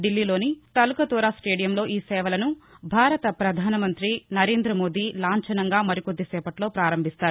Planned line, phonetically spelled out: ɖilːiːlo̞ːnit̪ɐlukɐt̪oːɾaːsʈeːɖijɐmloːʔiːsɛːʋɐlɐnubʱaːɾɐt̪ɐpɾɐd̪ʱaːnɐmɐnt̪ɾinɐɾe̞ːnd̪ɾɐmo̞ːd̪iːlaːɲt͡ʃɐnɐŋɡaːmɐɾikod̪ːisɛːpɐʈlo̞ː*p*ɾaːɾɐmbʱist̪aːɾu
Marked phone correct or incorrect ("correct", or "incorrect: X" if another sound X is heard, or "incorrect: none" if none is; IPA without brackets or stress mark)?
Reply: correct